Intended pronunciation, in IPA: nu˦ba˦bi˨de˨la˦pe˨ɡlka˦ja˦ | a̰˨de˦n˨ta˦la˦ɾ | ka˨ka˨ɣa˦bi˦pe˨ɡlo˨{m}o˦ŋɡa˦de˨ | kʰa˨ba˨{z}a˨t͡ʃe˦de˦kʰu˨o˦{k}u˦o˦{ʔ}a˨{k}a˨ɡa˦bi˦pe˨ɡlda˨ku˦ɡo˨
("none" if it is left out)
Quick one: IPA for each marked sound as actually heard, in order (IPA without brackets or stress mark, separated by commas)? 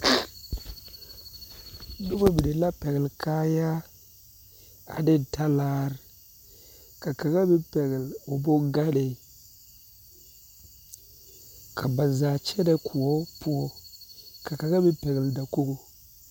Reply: b, z, p, k, k